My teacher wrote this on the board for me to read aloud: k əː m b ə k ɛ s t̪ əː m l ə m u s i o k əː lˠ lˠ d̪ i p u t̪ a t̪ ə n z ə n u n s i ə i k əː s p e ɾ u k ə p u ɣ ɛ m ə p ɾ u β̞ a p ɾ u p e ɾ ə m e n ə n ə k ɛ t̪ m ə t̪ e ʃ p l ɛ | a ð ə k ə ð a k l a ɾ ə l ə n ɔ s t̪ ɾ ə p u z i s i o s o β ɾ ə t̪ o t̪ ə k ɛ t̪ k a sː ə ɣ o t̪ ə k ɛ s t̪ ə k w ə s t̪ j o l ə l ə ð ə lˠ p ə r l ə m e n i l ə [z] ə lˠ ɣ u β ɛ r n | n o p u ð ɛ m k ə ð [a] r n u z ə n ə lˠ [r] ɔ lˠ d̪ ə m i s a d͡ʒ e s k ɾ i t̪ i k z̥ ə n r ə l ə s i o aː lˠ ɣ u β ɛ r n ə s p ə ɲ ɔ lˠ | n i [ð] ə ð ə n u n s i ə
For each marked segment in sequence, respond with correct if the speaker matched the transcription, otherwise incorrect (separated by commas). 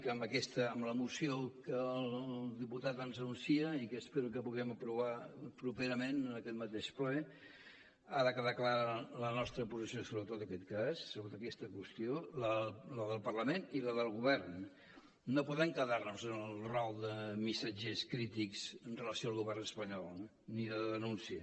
incorrect, correct, correct, correct